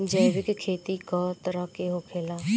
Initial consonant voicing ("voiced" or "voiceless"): voiced